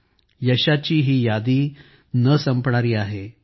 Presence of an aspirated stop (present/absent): absent